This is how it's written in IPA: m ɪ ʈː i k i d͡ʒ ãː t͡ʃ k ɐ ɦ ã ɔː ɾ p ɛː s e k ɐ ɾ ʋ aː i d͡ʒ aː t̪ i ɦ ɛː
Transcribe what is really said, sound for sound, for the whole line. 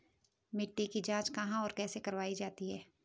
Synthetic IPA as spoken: m ɪ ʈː i k i d͡ʒ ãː t͡ʃ k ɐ ɦ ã ɔː ɾ k ɛː s e k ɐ ɾ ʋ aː i d͡ʒ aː t̪ i ɦ ɛː